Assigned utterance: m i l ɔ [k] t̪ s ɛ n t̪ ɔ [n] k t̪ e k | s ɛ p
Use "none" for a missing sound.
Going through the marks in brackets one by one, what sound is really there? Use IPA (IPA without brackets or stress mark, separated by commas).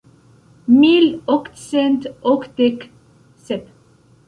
k, none